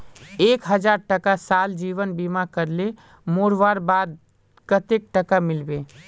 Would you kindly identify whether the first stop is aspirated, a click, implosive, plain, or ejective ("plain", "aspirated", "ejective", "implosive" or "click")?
plain